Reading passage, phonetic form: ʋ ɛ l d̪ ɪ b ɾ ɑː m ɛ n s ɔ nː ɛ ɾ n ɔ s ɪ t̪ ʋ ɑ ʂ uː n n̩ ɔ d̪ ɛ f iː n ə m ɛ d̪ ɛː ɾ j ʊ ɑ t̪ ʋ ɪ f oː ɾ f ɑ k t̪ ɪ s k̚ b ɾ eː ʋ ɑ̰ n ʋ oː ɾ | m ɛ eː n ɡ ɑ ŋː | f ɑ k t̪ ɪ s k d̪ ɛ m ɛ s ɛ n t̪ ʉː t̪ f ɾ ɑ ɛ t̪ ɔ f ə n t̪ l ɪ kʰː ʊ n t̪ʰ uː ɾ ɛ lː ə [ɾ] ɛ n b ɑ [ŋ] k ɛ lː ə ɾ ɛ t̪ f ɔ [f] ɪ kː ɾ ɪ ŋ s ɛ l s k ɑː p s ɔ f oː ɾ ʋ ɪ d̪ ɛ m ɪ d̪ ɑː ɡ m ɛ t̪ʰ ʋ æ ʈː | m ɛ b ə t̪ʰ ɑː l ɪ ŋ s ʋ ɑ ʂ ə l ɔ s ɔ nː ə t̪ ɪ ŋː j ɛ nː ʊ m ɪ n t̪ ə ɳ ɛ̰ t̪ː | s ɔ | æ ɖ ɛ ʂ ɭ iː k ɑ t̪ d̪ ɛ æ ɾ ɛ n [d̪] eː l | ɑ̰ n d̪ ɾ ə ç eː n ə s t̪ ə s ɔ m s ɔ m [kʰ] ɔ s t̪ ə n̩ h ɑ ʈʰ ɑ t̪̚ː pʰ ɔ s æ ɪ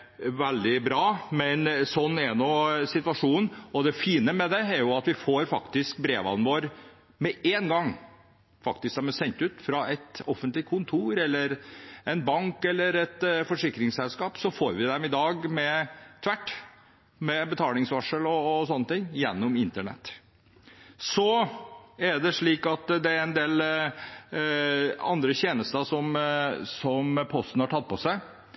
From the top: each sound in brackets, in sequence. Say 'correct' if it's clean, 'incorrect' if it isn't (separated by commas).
correct, correct, incorrect, correct, incorrect